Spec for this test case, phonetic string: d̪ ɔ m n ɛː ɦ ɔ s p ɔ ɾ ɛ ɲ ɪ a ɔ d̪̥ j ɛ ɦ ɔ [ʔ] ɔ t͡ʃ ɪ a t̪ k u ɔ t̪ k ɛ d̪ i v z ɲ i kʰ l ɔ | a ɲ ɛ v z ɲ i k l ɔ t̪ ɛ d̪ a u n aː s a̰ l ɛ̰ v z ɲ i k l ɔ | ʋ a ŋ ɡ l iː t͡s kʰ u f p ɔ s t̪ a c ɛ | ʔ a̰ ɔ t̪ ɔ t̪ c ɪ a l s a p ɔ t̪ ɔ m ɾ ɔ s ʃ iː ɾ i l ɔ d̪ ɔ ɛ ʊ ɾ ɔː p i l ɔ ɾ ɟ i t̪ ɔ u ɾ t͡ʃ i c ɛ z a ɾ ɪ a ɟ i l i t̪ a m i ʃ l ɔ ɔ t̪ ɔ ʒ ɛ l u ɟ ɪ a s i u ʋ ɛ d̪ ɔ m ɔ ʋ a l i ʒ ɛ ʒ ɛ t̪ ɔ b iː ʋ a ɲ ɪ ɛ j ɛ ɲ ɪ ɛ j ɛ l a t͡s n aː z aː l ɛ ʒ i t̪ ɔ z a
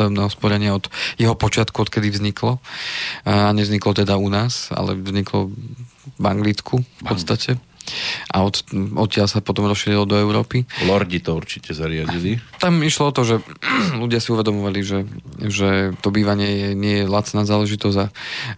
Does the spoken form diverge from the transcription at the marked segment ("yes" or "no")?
yes